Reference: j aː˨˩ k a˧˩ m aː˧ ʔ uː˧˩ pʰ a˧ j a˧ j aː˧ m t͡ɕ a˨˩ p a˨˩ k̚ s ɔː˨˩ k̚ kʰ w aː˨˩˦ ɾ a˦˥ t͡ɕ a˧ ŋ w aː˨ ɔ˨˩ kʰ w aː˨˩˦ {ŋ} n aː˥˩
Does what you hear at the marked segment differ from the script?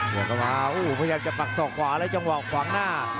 no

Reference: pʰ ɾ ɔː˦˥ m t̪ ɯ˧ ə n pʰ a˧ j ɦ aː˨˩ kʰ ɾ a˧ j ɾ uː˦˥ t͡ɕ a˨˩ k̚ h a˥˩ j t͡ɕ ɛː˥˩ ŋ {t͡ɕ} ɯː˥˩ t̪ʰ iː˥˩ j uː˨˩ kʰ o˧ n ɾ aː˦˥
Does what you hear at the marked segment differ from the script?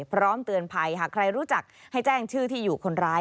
yes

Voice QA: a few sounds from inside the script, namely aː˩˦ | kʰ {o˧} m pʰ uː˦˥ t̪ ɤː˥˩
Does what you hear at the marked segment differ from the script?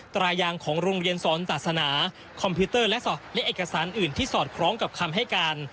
yes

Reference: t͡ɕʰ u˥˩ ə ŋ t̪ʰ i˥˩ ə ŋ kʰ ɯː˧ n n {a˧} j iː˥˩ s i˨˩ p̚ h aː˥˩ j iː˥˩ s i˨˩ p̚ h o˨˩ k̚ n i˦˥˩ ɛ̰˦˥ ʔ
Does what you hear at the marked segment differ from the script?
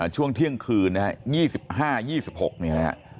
yes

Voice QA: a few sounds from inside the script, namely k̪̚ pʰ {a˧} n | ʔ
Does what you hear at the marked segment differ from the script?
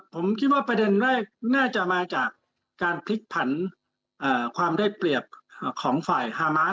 yes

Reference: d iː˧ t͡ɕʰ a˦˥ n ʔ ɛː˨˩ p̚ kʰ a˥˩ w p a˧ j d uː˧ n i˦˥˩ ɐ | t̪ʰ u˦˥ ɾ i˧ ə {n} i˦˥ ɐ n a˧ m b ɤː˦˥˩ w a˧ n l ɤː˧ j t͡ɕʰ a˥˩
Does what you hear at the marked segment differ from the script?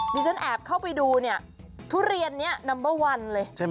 yes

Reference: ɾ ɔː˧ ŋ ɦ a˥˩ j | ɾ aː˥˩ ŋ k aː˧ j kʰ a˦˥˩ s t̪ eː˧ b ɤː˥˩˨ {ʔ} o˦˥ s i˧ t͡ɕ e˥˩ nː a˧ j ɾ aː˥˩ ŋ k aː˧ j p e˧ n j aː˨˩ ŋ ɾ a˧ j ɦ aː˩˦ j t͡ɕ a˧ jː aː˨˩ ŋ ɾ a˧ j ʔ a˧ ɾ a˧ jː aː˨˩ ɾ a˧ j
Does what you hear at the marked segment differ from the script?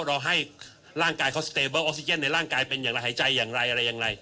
no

